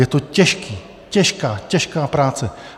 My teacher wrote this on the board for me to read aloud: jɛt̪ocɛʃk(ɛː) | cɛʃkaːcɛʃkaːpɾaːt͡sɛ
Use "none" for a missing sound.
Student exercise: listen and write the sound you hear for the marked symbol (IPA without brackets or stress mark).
iː